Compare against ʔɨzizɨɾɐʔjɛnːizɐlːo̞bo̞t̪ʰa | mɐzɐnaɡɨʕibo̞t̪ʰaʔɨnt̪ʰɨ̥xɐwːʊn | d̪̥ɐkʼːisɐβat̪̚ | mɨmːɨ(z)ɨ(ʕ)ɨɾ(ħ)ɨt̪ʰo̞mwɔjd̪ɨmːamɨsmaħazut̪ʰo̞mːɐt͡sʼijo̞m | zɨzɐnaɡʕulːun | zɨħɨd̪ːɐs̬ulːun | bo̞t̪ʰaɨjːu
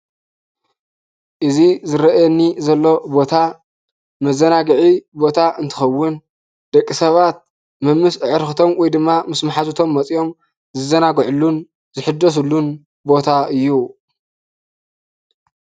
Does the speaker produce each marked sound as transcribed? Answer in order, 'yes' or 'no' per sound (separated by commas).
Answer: no, yes, no